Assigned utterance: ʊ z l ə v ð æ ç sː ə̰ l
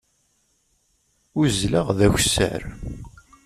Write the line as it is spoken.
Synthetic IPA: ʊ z l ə ʁ ð æ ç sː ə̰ ɾ